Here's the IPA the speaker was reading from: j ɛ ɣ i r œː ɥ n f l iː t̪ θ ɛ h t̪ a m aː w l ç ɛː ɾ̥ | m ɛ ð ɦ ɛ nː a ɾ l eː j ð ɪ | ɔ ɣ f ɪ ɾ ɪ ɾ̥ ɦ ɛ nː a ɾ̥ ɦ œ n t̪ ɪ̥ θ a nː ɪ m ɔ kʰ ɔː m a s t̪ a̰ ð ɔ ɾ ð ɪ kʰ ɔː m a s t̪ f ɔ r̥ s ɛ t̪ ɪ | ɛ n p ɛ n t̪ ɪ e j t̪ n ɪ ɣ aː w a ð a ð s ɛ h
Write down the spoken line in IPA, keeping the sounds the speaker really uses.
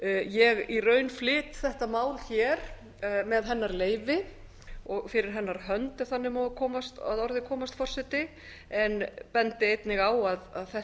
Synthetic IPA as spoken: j ɛ ɣ i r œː ɥ n f l ɪː t̪ θ ɛ h t̪ a m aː w l ç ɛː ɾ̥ | m ɛ ð ɦ ɛ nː a ɾ l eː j v ɪ | ɔ ɣ f ɪ ɾ ɪ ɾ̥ ɦ ɛ nː a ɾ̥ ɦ œ n t̪ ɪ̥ θ a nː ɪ m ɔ kʰ ɔː m a s t̪ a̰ ð ɔ ɾ ð ɪ kʰ ɔː m a s t̪ f ɔ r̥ s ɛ t̪ ɪ | ɛ n p ɛ n t̪ ɪ e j t̪ n ɪ ɣ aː w a ð a ð θ ɛ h